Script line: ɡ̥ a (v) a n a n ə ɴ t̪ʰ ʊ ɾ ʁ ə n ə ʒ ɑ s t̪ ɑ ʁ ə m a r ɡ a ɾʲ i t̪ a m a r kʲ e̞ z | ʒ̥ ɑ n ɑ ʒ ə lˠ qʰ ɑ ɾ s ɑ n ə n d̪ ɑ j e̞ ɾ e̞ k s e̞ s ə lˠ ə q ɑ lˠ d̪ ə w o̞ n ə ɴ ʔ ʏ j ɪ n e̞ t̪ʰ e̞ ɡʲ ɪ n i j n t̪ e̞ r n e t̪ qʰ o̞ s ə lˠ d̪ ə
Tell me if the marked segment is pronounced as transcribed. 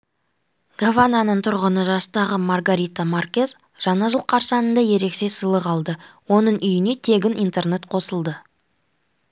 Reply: yes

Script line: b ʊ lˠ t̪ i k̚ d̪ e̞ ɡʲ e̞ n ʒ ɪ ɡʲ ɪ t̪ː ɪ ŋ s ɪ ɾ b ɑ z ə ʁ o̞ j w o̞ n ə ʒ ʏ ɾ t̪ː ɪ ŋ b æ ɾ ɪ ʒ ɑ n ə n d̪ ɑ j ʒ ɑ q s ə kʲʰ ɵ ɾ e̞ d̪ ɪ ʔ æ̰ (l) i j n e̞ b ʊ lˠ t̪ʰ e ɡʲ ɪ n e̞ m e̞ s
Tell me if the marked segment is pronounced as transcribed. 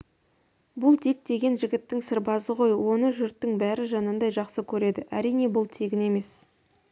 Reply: no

